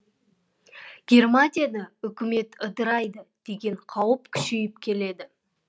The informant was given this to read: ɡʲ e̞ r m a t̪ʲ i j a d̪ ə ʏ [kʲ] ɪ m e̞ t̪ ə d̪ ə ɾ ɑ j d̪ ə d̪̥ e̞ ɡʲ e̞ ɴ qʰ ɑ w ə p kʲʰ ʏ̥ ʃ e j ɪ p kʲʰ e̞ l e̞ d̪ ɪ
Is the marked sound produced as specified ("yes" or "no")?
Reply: yes